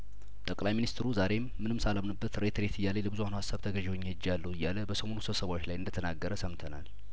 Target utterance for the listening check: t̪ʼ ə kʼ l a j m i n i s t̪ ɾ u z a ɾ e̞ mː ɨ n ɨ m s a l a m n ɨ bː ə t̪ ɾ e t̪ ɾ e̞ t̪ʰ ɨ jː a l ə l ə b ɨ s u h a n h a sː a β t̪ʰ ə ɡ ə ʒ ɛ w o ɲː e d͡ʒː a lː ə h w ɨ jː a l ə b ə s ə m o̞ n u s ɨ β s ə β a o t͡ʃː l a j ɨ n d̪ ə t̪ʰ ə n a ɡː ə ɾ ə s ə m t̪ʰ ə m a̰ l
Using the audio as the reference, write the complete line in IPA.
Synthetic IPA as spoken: t̪ʼ ə kʼ l a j m i n i s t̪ ɾ u z a ɾ e̞ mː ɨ n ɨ m s a l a m n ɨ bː ə t̪ ɾ e t̪ ɾ e̞ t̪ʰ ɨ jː a l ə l ə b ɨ z u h a n h a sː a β t̪ʰ ə ɡ ə ʒ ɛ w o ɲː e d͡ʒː a lː ə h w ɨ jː a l ə b ə s ə m o̞ n u s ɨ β s ə β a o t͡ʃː l a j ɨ n d̪ ə t̪ʰ ə n a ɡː ə ɾ ə s ə m t̪ʰ ə n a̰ l

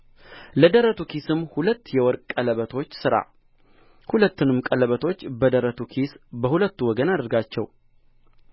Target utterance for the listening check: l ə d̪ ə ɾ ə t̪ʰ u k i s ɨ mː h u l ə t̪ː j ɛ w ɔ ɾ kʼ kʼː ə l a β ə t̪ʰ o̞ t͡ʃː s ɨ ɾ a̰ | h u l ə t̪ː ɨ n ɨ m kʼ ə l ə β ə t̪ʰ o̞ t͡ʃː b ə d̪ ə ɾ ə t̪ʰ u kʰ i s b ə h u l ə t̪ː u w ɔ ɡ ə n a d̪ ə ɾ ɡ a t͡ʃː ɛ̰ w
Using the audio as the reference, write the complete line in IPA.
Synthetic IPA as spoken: l ə d̪ ə ɾ ə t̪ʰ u k i s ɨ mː h u l ə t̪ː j ɛ w ɔ ɾ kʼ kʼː ə l ə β ə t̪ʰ o̞ t͡ʃː s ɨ ɾ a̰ | h u l ə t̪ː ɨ n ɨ m kʼ ə l ə β ə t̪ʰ o̞ t͡ʃː b ə d̪ ə ɾ ə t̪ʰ u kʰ i s b ə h u l ə t̪ː u w ɔ ɡ ə n a d̪ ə ɾ ɡ a t͡ʃː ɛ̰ w

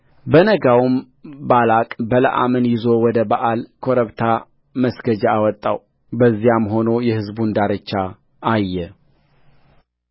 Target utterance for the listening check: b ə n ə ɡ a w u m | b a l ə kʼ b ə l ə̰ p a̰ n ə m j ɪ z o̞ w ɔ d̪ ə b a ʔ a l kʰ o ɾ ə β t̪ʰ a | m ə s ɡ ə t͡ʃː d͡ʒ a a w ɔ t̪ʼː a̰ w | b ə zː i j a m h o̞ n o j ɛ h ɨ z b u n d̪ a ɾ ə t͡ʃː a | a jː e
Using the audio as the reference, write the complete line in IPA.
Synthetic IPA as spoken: b ə n ə ɡ a w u m | b a l a kʼ b ə l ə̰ ʔ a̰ m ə n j ɪ z o̞ w ɔ d̪ ə b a ʔ a l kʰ o ɾ ə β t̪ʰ a | m ə s ɡ ə d͡ʒ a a w ɔ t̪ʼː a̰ w | b ə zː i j a m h o̞ n o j ɛ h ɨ z b u n d̪ a ɾ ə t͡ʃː a | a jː ɛ

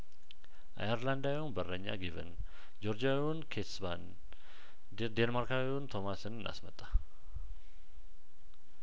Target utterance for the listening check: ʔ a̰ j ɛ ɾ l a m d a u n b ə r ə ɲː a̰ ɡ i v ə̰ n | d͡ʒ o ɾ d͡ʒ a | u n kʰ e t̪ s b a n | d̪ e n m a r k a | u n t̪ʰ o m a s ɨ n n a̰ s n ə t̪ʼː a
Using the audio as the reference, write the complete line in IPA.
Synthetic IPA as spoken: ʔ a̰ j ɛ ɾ l a n d a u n b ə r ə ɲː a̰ ɡ i v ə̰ n | d͡ʒ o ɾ d͡ʒ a | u n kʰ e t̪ s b a n | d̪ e n m a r k a | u n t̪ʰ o m a s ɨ n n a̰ s m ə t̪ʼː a

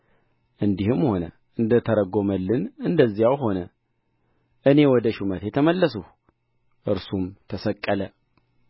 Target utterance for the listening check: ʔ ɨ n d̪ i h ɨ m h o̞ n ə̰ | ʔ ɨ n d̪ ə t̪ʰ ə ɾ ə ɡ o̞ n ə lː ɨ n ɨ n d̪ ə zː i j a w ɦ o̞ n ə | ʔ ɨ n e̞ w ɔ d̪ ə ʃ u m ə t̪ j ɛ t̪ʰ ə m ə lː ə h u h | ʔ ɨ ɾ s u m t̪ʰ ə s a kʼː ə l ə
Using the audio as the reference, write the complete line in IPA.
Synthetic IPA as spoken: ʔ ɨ n d̪ i h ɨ m h o̞ n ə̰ | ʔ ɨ n d̪ ə t̪ʰ ə ɾ ə ɡ o̞ m ə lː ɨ n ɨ n d̪ ə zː i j a w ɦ o̞ n ə | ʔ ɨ n e̞ w ɔ d̪ ə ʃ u m ə t̪ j ɛ t̪ʰ ə m ə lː ə s u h | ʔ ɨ ɾ s u m t̪ʰ ə s ə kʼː ə l ə

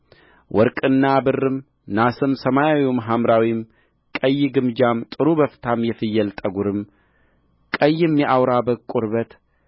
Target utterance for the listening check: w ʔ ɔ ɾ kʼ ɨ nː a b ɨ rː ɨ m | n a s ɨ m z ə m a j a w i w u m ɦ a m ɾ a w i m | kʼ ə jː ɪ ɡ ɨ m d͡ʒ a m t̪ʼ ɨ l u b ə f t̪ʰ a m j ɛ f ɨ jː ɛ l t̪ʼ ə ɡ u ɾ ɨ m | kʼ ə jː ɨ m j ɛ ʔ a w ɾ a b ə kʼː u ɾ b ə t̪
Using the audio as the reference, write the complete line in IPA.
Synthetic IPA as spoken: w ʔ ɔ ɾ kʼ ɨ nː a b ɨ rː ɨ m | n a s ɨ m s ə m a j a w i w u m ɦ a m ɾ a w i m | kʼ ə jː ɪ ɡ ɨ m d͡ʒ a m t̪ʼ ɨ ɾ u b ə f t̪ʰ a m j ɛ f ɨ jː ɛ l t̪ʼ ə ɡ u ɾ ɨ m | kʼ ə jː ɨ m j ɛ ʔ a w ɾ a b ə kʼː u ɾ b ə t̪

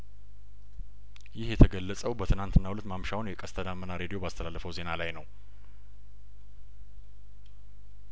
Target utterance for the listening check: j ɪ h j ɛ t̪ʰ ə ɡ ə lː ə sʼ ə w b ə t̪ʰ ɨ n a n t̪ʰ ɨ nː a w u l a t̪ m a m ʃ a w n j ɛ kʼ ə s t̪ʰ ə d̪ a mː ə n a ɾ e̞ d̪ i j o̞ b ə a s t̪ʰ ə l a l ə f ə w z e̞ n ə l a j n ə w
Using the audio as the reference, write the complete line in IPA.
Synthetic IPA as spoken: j ɪ h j ɛ t̪ʰ ə ɡ ə lː ə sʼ ə w b ə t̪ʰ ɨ n a n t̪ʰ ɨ nː a w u l ə t̪ m a m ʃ a w n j ɛ kʼ ə s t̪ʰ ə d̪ a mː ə n a ɾ e̞ d̪ i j o̞ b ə a s t̪ʰ ə l a lː ə f ə w z e̞ n a l a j n ə w

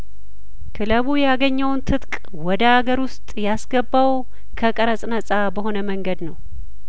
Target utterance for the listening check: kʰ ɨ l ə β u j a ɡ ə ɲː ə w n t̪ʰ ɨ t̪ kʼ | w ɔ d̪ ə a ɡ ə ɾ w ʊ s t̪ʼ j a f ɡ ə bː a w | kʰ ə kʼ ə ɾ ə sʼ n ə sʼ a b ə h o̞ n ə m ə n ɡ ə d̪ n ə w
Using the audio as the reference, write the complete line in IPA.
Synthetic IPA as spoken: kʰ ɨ l ə β u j a ɡ ə ɲː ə w n t̪ʰ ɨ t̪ kʼ | w ɔ d̪ ə a ɡ ə ɾ w ʊ s t̪ʼ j a s ɡ ə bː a w | kʰ ə kʼ ə ɾ ə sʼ n ə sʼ a b ə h o̞ n ə m ə ŋ ɡ ə d̪ n ə w

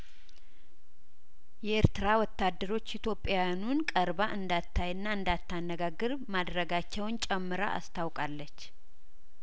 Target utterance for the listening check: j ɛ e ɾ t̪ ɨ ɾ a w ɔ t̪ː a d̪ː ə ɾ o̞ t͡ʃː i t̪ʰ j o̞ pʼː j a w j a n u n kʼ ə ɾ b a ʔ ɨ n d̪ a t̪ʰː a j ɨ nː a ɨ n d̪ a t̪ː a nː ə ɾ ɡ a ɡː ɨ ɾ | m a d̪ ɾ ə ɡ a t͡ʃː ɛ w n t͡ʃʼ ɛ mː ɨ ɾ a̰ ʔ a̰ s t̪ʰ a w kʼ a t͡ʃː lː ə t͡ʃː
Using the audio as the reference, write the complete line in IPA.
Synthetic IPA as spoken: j ɛ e ɾ t̪ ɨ ɾ a w ɔ t̪ː a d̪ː ə ɾ o̞ t͡ʃː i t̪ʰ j o̞ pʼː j a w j a n u n kʼ ə ɾ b a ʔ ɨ n d̪ a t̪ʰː a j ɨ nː a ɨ n d̪ a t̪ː a nː ə ɡ a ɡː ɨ ɾ | m a d̪ ɾ ə ɡ a t͡ʃː ɛ w n t͡ʃʼ ɛ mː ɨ ɾ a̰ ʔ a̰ s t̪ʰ a w kʼ a lː ə t͡ʃː

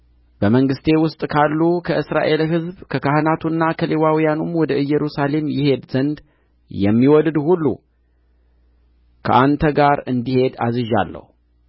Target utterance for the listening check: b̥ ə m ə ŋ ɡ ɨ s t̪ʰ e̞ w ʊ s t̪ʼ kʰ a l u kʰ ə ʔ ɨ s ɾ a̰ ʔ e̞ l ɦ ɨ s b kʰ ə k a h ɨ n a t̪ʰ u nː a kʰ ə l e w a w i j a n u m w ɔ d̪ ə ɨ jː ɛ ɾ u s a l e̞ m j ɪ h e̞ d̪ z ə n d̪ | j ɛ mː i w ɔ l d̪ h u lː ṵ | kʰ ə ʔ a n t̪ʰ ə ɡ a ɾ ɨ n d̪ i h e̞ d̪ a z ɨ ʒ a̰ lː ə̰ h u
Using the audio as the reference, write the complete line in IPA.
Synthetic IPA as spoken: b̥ ə m ə ŋ ɡ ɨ s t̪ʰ e̞ w ʊ s t̪ʼ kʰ a lː u kʰ ə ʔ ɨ s ɾ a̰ ʔ e̞ l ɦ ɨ z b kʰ ə k a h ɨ n a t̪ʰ u nː a kʰ ə l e w a w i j a n u m w ɔ d̪ ə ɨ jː ɛ ɾ u s a l e̞ m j ɪ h e̞ d̪ z ə n d̪ | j ɛ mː i w ɔ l d̪ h u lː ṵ | kʰ ə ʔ a n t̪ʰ ə ɡ a ɾ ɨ n d̪ i h e̞ d̪ a z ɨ ʒ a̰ lː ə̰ h u

